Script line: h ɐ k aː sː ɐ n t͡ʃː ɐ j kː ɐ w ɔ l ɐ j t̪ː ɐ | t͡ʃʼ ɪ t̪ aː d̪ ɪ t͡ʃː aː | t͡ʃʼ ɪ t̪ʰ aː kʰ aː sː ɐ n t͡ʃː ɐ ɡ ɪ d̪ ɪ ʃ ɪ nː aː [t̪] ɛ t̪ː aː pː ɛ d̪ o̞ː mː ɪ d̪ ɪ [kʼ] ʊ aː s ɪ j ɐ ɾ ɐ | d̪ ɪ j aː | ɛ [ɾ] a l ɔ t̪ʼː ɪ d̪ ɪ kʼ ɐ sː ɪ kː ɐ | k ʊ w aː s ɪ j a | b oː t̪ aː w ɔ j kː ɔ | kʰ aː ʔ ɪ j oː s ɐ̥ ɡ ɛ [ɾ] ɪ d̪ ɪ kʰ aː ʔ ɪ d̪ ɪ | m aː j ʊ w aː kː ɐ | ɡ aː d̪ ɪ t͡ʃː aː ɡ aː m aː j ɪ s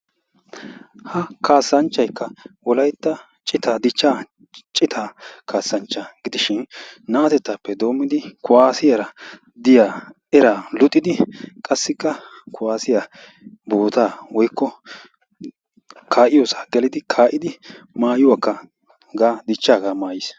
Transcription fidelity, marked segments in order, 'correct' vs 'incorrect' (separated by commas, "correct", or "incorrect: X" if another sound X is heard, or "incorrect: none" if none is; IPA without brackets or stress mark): correct, incorrect: k, correct, incorrect: l